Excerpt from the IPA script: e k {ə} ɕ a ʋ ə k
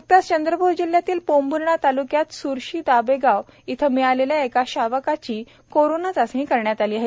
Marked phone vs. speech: incorrect: a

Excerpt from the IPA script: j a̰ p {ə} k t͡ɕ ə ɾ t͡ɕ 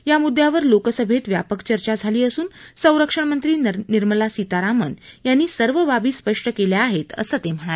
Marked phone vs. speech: correct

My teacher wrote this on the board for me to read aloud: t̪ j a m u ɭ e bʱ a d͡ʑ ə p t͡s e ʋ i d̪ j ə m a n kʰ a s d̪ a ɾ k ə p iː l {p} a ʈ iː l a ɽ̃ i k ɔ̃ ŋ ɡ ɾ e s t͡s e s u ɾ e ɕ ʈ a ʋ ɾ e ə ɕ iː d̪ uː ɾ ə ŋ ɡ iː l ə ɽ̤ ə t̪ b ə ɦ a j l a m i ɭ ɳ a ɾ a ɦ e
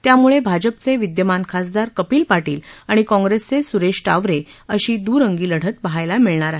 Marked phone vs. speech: correct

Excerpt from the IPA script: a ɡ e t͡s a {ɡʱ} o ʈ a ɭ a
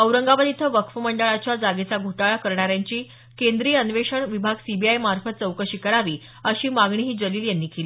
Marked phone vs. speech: correct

